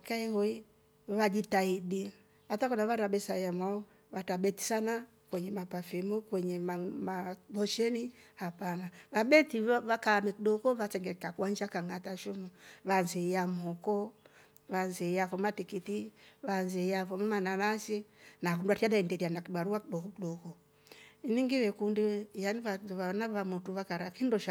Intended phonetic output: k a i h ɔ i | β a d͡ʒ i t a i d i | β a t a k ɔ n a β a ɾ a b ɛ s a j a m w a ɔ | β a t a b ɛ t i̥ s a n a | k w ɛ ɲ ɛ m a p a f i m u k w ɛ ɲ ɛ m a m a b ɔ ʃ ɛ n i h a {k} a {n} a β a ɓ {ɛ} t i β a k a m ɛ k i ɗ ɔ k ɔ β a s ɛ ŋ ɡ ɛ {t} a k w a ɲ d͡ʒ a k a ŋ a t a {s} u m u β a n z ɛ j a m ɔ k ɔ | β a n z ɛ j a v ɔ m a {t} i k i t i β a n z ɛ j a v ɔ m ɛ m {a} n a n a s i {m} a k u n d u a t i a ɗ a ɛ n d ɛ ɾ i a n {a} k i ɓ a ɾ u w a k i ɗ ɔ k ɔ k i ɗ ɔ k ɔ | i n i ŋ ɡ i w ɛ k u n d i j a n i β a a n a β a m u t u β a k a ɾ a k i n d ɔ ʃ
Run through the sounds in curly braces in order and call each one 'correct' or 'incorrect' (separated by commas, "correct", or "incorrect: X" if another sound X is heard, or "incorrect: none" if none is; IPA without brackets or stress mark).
incorrect: p, correct, correct, incorrect: k, incorrect: ʃ, correct, correct, incorrect: n, correct